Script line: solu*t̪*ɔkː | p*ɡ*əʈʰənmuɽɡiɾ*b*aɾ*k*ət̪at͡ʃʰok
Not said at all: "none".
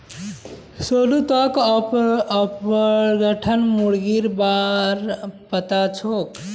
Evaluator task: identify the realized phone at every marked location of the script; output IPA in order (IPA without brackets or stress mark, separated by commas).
t̪, ɡ, b, p